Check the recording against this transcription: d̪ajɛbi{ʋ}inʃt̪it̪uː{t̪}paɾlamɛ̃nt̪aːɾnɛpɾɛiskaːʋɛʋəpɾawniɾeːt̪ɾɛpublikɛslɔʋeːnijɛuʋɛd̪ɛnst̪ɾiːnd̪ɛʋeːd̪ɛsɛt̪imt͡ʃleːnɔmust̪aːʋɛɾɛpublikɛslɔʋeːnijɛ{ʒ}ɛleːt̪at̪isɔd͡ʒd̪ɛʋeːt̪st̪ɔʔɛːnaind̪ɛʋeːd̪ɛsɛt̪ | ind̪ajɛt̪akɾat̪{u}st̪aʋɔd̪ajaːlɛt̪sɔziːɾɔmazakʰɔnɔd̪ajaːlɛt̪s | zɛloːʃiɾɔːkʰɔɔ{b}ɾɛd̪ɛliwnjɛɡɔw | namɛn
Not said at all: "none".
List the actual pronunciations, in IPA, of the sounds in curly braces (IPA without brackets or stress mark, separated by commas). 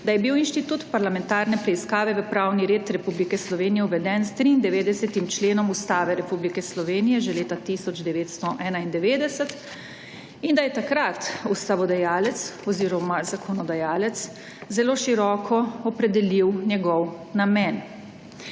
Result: w, t̪, ʒ, u, p